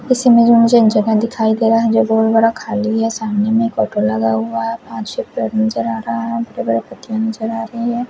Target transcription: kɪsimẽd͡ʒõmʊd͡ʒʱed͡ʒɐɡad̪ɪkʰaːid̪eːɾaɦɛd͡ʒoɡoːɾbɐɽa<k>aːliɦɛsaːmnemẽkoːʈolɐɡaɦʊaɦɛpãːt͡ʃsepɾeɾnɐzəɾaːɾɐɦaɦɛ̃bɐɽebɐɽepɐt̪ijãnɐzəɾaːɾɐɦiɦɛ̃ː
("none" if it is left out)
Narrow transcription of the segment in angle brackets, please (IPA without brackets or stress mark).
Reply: kʰ